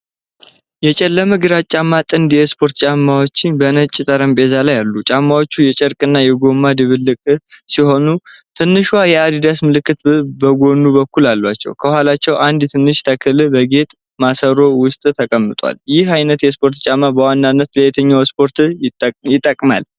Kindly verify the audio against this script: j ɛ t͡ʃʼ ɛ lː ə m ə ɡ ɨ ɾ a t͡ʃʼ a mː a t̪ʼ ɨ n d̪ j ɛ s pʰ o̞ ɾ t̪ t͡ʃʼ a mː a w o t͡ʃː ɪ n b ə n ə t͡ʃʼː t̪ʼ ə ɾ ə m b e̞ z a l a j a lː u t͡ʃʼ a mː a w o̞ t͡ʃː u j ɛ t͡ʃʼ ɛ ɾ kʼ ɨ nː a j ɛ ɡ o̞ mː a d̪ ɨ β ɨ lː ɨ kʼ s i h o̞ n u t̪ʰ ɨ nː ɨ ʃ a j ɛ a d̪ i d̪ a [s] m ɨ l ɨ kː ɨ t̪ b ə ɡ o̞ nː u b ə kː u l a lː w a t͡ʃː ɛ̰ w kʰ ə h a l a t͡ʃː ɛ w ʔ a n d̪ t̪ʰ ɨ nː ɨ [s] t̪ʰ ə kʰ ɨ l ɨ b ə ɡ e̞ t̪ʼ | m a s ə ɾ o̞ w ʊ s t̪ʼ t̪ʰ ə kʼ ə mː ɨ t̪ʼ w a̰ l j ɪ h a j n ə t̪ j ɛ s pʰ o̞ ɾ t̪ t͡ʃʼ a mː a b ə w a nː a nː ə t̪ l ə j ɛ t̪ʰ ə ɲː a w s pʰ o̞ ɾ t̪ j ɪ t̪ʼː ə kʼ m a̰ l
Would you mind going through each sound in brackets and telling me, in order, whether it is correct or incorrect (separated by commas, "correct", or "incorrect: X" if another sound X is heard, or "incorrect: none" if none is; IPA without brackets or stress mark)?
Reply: correct, incorrect: ʃ